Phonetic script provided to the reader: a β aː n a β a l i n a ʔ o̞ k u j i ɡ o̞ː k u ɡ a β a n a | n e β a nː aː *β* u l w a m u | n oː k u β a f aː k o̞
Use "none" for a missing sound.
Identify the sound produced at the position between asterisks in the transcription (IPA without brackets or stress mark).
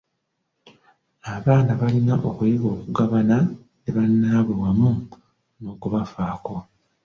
β